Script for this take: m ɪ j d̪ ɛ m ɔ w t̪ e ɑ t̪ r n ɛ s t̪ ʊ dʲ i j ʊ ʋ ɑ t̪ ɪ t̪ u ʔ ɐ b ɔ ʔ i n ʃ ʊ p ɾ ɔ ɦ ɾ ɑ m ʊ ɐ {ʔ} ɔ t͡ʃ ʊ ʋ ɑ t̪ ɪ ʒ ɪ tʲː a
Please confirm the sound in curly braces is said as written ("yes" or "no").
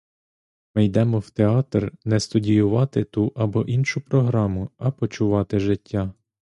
no